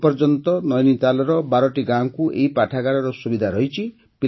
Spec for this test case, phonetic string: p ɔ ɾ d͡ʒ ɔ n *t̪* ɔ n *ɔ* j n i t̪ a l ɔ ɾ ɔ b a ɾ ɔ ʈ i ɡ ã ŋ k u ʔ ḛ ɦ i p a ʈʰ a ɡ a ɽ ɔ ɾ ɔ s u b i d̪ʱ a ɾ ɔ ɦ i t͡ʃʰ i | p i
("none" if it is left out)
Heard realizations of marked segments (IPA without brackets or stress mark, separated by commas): t̪, ɔ